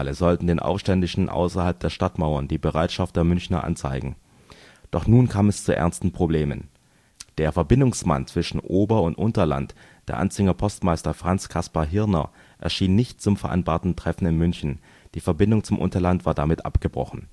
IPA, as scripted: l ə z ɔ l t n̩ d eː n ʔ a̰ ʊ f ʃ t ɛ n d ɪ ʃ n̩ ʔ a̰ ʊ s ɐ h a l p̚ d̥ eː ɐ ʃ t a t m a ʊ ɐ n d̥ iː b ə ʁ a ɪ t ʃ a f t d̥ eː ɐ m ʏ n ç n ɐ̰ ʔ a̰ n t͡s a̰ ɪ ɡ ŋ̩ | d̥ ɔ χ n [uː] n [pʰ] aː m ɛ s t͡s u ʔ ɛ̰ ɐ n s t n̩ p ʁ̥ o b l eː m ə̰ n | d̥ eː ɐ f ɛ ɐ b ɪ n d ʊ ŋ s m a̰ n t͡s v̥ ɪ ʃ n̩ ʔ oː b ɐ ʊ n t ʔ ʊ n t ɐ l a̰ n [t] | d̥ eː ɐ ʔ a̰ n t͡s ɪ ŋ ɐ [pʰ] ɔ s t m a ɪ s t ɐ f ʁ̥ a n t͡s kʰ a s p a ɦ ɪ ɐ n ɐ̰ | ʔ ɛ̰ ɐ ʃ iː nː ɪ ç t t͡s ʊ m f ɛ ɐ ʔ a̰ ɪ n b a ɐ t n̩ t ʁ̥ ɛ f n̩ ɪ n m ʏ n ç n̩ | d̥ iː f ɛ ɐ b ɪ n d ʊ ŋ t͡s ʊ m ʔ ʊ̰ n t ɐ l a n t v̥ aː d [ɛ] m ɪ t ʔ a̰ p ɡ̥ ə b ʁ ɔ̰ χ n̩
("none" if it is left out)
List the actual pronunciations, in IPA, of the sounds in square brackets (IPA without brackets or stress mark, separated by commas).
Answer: uː, kʰ, t, pʰ, a